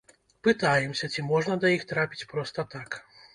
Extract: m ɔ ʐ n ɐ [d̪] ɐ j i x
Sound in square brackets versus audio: correct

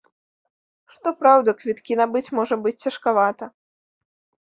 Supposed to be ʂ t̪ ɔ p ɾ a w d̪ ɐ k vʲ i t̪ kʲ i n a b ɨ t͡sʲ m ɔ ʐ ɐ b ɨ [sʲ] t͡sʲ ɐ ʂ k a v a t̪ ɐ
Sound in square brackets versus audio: incorrect: t͡sʲ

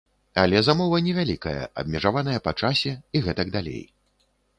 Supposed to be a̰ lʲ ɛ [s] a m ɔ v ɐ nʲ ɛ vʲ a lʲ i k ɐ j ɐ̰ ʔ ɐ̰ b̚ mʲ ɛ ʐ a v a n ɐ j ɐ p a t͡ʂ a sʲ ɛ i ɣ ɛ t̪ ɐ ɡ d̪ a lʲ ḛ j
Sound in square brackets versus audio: incorrect: z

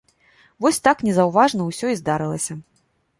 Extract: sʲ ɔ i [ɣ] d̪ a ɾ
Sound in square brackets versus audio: incorrect: z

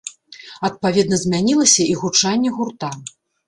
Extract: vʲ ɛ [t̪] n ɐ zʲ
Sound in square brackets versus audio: incorrect: d̪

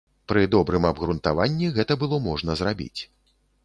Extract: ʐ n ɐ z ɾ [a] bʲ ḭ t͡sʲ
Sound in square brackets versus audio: correct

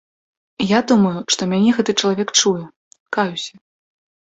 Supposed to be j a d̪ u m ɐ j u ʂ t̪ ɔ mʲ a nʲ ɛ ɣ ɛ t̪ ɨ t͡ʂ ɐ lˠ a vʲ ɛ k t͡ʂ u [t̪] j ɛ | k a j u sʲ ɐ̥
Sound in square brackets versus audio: incorrect: none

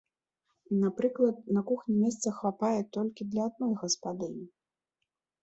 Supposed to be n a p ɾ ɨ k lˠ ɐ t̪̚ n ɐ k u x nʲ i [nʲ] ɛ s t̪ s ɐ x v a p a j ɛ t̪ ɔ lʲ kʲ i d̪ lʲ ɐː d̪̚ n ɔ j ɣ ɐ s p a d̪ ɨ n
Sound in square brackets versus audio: incorrect: mʲ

